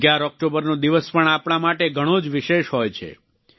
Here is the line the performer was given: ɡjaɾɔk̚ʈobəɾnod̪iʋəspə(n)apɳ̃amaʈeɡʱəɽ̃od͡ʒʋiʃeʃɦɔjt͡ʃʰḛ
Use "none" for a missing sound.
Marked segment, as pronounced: ɳ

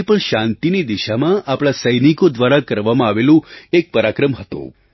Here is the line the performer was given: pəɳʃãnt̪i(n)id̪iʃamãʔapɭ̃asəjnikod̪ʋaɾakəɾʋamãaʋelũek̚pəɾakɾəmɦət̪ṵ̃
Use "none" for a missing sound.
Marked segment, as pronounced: n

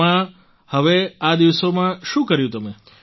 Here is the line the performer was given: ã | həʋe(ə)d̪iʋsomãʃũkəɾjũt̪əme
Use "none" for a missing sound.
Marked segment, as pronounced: a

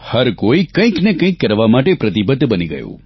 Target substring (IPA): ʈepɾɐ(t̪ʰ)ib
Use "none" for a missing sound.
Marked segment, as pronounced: t̪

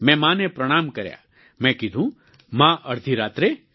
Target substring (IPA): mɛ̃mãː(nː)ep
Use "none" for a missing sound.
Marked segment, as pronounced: n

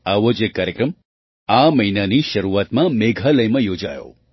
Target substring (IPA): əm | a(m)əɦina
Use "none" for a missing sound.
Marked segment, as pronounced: m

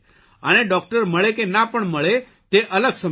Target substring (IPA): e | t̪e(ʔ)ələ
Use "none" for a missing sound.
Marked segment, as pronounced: ʔ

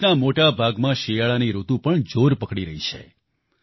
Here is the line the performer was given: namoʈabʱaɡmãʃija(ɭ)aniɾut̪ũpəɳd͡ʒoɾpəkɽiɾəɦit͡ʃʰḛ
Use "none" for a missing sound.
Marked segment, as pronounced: ɭ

